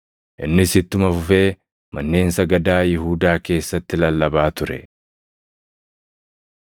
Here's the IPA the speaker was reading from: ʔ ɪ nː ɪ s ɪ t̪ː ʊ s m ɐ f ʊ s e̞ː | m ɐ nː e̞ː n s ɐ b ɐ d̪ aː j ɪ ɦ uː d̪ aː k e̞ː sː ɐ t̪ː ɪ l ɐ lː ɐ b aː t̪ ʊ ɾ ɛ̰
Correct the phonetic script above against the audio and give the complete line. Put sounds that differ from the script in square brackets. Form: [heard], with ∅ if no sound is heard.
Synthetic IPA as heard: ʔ ɪ nː ɪ s ɪ t̪ː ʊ [∅] m ɐ f ʊ [f] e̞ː | m ɐ nː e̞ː n s ɐ [ɡ] ɐ d̪ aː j ɪ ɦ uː d̪ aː k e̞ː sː ɐ t̪ː ɪ l ɐ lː ɐ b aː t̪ ʊ ɾ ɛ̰